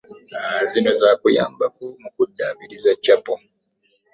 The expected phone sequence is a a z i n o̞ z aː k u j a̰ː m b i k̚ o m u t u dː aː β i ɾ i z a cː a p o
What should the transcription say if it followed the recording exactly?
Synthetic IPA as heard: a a z i n o̞ z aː k u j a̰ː m b a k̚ u m u k u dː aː β i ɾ i z a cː a p o